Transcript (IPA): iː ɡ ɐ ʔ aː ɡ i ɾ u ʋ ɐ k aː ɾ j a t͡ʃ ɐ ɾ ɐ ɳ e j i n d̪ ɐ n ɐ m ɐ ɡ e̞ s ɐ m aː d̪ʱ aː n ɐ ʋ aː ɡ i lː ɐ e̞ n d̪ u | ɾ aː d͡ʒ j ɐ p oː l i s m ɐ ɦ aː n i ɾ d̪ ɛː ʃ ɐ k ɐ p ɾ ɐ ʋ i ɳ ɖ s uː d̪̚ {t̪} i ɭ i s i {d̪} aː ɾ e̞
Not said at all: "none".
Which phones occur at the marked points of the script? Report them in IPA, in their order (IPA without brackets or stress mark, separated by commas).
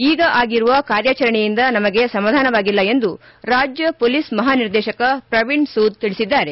t̪, d̪ː